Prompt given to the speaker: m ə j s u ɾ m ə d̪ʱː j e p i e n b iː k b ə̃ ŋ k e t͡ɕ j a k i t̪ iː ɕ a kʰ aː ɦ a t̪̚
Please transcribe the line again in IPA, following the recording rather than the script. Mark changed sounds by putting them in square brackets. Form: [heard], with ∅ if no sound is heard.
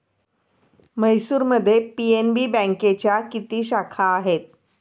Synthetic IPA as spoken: m ə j s [uː] ɾ m ə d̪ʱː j e p i e n b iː [∅] b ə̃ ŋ k e t͡ɕ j a k i t̪ iː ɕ a kʰ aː ɦ [e] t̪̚